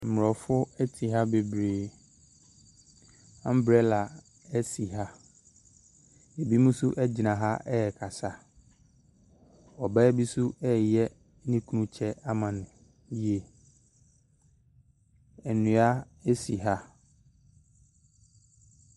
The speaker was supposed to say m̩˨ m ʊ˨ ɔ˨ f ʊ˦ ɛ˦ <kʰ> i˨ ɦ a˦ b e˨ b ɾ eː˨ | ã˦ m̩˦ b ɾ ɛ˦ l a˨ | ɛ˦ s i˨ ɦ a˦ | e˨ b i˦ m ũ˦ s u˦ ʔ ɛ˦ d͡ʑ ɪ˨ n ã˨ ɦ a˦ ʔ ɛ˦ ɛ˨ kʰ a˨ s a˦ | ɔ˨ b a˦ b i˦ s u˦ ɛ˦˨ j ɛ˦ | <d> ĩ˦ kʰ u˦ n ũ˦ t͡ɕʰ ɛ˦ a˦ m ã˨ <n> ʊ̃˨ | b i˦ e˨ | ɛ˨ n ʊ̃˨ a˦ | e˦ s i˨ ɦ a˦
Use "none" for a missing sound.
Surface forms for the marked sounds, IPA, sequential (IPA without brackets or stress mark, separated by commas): tʰ, n, n